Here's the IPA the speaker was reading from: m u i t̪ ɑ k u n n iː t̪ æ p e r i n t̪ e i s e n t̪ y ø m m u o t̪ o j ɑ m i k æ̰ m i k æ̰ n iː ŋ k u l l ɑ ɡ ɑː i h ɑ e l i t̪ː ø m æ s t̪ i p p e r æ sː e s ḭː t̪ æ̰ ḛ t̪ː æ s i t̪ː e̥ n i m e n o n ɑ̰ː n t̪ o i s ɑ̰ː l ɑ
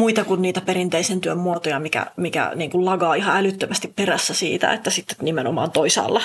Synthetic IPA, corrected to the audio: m u i t̪ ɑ k u n n iː t̪ æ p e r i n t̪ e i s e n t̪ y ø m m u o t̪ o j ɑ m i k æ̰ m i k æ̰ n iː ŋ k u l l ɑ ɡ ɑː i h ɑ æ l y t̪ː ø m æ s t̪ i p p e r æ sː æ s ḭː t̪ æ̰ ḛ t̪ː æ s i t̪ː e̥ n i m e n o m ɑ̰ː n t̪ o i s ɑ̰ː lː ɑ